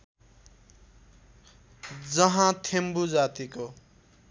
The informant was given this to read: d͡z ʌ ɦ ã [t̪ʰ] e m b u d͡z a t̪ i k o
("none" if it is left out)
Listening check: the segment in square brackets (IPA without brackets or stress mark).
t̪ʰ